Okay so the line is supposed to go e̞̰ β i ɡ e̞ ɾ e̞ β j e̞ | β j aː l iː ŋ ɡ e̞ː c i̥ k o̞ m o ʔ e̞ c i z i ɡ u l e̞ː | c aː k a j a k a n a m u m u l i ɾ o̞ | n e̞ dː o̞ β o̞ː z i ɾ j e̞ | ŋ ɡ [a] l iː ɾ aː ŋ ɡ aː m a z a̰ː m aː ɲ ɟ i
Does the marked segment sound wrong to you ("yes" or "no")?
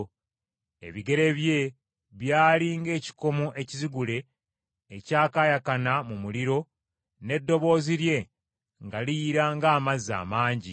no